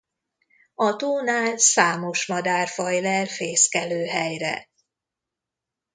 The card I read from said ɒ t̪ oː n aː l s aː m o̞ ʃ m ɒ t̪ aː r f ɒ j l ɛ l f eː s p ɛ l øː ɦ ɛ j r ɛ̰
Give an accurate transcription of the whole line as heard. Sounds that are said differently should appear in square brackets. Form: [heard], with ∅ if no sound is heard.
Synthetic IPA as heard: ɒ t̪ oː n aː l s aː m o̞ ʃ m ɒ [d̪] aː r f ɒ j l ɛ l f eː s [k] ɛ l øː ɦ ɛ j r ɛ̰